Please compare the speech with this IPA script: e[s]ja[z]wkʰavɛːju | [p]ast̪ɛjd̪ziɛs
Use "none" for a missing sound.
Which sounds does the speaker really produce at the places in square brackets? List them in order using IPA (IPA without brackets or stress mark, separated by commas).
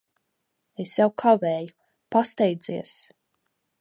s, none, p